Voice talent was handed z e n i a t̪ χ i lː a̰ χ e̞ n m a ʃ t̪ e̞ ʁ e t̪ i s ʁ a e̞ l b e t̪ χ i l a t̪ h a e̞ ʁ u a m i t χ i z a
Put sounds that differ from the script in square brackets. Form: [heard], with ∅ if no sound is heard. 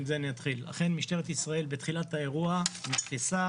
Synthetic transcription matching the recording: z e n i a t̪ χ i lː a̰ χ e̞ n m [i] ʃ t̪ e̞ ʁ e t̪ i s ʁ a e̞ l b e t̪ χ i l a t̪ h a e̞ ʁ u a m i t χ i [s] a